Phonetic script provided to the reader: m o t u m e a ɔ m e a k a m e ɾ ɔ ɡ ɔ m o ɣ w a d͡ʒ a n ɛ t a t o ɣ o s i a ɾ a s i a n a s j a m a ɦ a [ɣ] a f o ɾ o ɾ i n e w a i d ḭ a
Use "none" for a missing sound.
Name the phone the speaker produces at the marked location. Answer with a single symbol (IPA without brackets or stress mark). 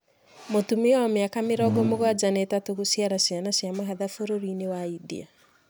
ð